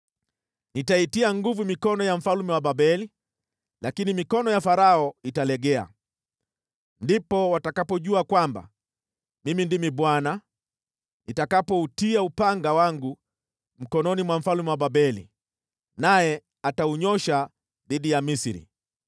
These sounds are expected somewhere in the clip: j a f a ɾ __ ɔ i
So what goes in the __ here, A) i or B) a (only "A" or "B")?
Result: B